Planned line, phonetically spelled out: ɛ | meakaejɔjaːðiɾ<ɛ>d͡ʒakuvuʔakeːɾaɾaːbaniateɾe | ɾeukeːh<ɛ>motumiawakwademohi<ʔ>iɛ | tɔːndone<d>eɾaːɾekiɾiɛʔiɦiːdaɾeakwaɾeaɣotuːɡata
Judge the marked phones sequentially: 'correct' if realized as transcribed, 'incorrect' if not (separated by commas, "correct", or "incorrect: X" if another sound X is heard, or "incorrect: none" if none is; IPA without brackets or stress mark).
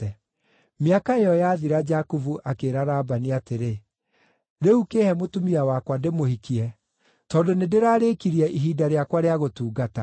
incorrect: a, correct, incorrect: k, correct